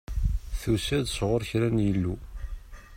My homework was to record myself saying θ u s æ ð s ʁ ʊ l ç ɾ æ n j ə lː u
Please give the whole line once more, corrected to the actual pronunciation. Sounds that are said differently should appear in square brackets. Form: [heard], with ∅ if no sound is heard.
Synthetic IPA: θ u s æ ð s ʁ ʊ [ɾ] ç ɾ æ n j ə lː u

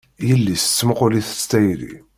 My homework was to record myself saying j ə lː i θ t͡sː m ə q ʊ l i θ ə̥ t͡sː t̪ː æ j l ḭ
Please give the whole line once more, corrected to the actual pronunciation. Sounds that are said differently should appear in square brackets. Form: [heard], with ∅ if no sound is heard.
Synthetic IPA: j ə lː i [s] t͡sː m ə q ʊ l i θ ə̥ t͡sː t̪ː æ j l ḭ

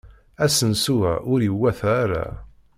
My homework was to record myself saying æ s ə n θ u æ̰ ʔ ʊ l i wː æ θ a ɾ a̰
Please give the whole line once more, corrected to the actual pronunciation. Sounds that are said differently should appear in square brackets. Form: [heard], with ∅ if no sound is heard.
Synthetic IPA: æ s ə n [s] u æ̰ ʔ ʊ [ɾ] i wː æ θ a ɾ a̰

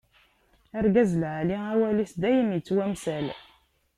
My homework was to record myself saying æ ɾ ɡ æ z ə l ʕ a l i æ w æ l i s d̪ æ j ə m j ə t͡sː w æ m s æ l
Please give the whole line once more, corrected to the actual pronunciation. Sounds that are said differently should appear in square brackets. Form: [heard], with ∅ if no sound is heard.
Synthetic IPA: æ ɾ ɡ æ z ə l ʕ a l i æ w æ l i s d̪ æ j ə m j ə t͡sː w æ m s æ l

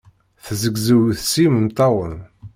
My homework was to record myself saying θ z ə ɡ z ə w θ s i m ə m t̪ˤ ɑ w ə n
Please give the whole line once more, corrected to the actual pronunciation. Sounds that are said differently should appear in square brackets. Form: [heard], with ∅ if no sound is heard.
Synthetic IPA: θ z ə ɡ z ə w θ s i m ə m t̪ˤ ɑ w ə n

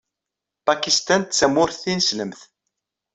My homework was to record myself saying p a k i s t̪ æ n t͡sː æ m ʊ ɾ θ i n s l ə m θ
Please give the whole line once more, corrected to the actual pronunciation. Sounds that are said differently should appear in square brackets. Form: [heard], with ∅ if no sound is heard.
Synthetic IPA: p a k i s t̪ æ n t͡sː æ m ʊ ɾ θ i n s l ə m θ

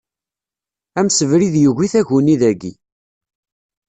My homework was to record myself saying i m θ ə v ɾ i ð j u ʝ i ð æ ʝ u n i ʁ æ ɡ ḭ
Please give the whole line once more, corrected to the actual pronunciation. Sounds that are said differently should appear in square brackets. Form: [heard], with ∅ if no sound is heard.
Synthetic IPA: [æ] m [s] ə v ɾ i ð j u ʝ i [θ] æ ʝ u n i [ð] æ ɡ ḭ

